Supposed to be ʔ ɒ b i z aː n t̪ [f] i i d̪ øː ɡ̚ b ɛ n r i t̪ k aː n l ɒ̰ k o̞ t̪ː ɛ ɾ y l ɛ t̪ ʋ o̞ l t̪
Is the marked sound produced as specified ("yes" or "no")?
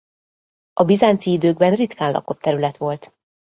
no